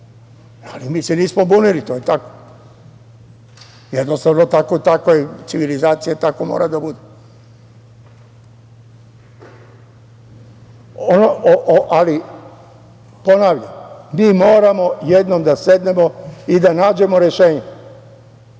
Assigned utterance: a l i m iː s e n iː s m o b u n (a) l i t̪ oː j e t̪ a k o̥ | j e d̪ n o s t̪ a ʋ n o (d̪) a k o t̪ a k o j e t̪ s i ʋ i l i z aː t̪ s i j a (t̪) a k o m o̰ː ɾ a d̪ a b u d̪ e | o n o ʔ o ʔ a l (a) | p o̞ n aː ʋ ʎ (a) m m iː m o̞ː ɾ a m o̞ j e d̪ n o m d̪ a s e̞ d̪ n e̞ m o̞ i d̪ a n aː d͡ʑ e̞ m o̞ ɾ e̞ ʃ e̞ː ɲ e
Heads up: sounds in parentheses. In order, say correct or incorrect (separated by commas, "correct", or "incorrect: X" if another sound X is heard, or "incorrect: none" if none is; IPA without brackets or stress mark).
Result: incorrect: i, incorrect: t̪, correct, incorrect: i, correct